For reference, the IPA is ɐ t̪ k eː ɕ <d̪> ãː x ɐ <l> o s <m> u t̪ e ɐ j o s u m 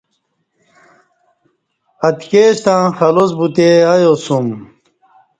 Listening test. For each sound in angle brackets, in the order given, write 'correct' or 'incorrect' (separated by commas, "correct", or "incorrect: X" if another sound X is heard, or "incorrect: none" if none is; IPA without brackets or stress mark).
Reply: incorrect: t̪, correct, incorrect: b